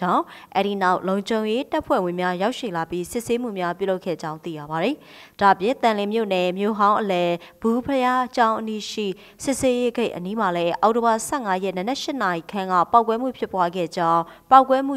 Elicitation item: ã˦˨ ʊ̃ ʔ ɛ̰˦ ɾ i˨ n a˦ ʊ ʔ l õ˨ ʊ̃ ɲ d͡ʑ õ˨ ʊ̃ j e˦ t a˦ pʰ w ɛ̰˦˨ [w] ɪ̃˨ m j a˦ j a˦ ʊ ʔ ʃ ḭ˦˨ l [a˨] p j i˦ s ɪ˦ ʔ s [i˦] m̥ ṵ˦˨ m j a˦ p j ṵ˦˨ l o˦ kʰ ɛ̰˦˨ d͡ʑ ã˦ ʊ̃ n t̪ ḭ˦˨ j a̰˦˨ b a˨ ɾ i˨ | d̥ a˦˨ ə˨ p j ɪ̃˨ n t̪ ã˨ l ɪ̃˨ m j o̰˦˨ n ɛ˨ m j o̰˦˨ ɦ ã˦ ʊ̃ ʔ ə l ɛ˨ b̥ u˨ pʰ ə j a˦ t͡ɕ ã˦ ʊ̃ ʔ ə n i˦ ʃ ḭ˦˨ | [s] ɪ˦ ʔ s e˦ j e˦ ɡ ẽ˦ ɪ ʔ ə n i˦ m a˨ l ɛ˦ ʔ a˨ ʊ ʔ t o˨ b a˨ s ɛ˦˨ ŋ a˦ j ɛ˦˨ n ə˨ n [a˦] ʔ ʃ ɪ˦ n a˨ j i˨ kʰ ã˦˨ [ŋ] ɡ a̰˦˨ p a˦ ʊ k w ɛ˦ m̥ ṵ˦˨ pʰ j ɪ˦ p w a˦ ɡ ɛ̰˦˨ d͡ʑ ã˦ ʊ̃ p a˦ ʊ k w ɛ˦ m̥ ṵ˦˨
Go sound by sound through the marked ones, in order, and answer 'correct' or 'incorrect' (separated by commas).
correct, correct, incorrect, correct, incorrect, correct